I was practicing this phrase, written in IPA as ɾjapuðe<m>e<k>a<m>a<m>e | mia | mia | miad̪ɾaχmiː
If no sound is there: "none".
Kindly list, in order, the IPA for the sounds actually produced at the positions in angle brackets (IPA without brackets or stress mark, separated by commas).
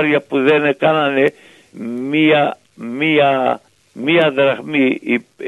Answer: n, k, n, n